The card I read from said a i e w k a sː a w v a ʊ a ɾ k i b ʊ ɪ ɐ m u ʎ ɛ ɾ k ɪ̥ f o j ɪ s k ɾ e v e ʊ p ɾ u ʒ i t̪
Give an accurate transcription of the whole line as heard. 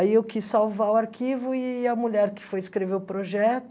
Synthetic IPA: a i e w k i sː a w v a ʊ a ɾ k i v ʊ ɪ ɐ m u ʎ ɛ ɾ k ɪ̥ f o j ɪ s k ɾ e v e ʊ p ɾ o ʒ ɛ t̪